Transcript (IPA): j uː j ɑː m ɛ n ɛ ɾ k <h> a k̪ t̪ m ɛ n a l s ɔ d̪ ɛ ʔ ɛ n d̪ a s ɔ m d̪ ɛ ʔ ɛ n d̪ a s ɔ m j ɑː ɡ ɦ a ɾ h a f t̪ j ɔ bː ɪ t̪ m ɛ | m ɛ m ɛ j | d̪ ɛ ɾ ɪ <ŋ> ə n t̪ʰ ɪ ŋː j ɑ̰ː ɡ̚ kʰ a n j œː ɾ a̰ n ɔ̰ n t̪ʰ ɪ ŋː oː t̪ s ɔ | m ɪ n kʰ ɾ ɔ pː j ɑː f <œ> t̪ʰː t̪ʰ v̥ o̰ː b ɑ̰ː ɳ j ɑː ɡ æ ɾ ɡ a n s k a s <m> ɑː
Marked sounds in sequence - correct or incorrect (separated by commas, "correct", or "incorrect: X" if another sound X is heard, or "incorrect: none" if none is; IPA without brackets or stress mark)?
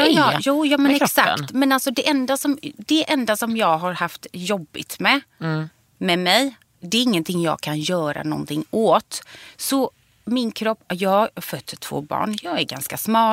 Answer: incorrect: s, incorrect: ŋː, correct, correct